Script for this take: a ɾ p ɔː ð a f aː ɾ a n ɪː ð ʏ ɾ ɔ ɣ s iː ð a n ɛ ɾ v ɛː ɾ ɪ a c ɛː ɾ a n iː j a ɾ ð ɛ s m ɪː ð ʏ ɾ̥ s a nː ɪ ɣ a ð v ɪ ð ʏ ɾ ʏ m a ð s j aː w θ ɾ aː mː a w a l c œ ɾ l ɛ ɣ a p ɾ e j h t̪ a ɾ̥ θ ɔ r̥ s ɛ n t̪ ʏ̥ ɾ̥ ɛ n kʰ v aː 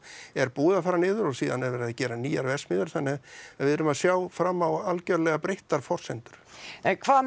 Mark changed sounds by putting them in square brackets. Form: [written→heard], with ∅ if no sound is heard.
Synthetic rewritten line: [a→ɛ] ɾ p [ɔː→uː] ð a f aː ɾ a n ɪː ð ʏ ɾ ɔ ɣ s iː ð a n ɛ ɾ v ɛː ɾ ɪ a c ɛː ɾ a n iː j a ɾ [ð→v] ɛ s m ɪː ð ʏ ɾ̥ [s→θ] a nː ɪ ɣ a ð v ɪ ð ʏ ɾ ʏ m a ð s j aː w [θ→f] ɾ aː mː a w a l c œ ɾ l ɛ ɣ a p ɾ e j h t̪ a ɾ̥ [θ→f] ɔ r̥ s ɛ n t̪ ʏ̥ ɾ̥ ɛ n kʰ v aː